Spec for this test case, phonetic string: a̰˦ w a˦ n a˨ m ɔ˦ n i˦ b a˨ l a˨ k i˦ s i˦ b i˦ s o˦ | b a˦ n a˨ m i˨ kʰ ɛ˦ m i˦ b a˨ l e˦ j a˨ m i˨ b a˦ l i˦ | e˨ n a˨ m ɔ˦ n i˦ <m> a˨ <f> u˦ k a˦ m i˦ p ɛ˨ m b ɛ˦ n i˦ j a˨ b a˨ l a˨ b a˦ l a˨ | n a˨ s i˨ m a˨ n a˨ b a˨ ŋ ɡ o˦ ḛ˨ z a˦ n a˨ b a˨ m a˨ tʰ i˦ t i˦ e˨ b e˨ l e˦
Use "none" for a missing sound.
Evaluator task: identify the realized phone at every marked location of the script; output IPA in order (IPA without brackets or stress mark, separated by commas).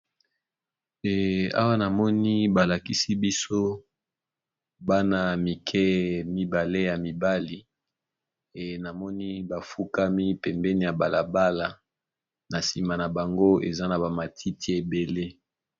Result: b, f